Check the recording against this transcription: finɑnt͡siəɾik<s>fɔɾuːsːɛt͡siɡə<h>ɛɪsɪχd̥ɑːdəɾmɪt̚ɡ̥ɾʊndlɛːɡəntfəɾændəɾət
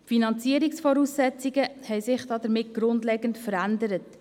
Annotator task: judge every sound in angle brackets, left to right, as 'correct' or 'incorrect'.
correct, correct

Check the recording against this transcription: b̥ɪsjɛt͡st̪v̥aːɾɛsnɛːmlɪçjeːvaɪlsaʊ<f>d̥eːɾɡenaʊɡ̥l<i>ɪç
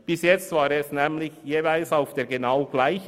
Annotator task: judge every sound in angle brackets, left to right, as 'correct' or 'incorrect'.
correct, incorrect: a

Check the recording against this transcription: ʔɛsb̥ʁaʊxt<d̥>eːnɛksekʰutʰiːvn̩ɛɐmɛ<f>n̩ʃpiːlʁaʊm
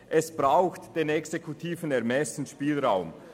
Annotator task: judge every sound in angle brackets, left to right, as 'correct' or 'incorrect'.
correct, incorrect: s

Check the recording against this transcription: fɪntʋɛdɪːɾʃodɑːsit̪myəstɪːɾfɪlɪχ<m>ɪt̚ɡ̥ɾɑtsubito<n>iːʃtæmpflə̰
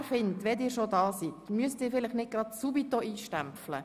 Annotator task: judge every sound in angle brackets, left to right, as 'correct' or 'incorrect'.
incorrect: n, incorrect: none

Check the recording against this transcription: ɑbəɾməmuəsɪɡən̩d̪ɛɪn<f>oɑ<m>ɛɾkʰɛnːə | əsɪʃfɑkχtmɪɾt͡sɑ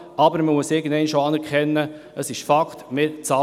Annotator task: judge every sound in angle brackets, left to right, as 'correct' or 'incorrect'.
incorrect: ʃ, incorrect: n

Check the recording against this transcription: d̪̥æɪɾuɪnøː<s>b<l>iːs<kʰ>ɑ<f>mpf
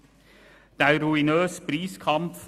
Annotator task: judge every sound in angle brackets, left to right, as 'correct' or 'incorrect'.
correct, incorrect: ɾ, correct, incorrect: none

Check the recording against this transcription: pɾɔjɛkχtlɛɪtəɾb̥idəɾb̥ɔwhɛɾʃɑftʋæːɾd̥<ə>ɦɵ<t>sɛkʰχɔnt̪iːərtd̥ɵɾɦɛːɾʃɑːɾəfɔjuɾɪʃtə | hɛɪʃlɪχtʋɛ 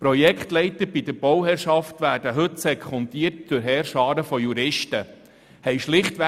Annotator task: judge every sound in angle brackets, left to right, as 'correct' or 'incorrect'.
correct, correct

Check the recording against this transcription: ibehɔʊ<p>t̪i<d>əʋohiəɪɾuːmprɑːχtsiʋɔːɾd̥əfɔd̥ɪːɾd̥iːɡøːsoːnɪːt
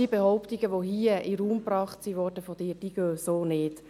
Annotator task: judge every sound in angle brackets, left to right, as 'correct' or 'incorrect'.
correct, incorrect: ɡ

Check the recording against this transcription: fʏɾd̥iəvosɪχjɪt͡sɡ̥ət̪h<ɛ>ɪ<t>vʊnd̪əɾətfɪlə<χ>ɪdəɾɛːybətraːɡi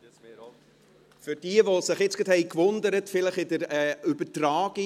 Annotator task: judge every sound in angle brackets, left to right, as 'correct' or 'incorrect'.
correct, incorrect: k, correct

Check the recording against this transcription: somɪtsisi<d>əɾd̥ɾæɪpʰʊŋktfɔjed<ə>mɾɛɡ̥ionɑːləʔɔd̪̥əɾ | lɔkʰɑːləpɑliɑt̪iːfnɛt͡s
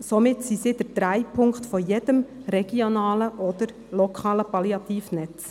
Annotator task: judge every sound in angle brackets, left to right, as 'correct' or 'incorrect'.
correct, correct

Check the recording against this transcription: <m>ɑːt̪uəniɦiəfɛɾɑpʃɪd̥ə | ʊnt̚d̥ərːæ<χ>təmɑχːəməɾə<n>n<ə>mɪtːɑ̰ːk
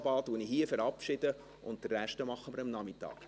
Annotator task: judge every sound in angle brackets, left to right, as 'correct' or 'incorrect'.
incorrect: b, incorrect: ʃ, incorrect: m, incorrect: ɑ

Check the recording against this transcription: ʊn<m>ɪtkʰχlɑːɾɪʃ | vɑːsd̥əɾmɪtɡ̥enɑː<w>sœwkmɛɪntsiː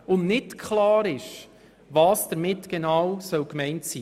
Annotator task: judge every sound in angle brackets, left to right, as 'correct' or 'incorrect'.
incorrect: n, correct

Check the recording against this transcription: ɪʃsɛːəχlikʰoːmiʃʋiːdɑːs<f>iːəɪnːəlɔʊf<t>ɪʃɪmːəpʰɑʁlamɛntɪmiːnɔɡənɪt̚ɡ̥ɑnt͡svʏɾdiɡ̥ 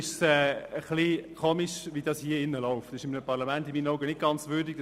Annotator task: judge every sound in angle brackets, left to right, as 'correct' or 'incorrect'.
incorrect: h, correct

